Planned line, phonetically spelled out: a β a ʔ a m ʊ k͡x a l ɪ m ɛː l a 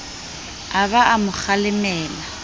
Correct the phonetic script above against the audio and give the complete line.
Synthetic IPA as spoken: a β a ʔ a m ʊ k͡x a l ɪ m ɛː l a